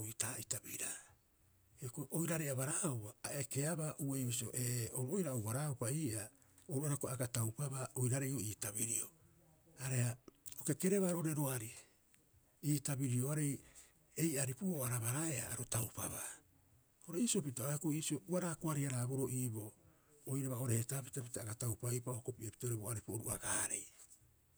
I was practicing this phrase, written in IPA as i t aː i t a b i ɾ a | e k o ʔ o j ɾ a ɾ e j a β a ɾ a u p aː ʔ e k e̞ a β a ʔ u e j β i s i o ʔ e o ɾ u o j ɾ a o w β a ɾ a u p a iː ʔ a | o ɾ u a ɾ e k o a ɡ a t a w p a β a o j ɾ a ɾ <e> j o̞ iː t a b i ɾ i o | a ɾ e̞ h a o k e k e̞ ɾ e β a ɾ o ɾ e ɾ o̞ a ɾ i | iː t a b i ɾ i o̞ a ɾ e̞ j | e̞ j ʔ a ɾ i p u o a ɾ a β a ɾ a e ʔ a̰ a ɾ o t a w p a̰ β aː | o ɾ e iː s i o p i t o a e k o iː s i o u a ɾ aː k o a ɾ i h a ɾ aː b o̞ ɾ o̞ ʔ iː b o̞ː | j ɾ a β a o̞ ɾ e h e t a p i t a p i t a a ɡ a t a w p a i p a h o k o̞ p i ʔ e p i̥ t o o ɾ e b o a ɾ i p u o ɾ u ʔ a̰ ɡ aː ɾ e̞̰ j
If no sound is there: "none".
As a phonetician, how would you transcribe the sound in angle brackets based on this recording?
e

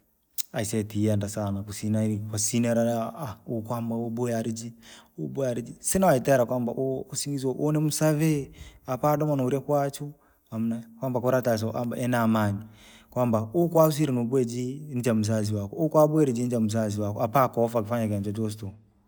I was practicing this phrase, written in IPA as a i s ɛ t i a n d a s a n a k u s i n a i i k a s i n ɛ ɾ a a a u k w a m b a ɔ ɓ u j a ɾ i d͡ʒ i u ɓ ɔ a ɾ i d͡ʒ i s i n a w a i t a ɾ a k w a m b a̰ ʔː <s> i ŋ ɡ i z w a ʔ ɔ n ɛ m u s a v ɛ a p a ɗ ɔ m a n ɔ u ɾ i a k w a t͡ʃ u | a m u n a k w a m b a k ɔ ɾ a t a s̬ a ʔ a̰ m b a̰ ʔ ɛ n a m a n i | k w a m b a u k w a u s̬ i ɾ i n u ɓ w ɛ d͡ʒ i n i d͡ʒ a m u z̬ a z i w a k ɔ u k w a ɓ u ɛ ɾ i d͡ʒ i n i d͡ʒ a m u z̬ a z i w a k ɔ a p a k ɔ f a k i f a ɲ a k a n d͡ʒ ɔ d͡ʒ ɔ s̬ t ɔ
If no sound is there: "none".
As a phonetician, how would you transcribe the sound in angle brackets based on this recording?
s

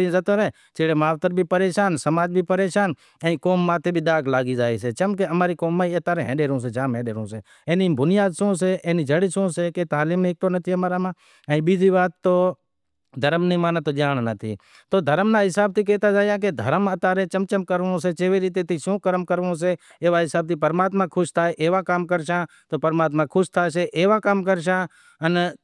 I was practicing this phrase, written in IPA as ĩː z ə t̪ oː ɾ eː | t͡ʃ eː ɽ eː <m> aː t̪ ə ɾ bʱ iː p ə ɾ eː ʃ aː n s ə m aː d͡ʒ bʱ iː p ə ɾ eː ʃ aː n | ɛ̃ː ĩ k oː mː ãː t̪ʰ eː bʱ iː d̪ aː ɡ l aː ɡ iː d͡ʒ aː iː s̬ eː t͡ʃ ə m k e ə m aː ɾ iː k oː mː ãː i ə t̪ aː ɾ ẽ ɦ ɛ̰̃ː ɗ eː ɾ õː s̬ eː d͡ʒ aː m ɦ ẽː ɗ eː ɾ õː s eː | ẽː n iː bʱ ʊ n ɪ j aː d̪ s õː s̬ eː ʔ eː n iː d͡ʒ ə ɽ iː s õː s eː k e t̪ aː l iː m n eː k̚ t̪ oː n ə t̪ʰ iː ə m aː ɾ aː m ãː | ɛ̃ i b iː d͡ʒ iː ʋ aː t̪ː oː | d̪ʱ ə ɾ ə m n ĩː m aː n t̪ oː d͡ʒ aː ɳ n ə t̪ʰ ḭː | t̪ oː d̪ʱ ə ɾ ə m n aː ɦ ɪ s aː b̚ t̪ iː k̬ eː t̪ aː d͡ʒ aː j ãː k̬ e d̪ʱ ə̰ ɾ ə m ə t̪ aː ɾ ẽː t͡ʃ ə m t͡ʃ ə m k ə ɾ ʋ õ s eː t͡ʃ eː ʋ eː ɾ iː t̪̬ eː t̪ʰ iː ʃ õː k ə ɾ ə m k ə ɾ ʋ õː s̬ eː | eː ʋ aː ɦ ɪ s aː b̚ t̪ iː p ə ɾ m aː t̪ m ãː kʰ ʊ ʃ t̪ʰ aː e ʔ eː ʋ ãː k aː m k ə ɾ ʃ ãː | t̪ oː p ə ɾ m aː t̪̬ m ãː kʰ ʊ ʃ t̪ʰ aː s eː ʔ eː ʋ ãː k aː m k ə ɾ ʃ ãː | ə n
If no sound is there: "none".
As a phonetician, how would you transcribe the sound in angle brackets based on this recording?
m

